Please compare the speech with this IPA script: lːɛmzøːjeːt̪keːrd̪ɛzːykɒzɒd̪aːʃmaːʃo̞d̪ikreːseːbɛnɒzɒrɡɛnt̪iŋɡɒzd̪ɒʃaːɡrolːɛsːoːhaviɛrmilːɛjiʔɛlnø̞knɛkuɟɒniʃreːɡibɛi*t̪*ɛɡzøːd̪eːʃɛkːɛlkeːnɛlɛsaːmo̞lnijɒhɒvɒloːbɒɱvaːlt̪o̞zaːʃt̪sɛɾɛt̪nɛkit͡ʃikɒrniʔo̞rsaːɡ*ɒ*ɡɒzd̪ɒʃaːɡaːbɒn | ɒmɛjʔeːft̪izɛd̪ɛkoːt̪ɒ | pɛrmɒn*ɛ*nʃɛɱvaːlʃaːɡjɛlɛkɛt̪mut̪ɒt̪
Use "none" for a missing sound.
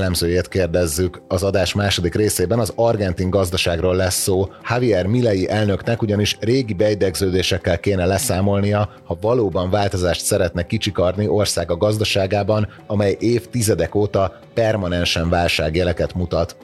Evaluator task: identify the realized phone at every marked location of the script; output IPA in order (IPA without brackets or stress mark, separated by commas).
d̪, ɒ, ɛ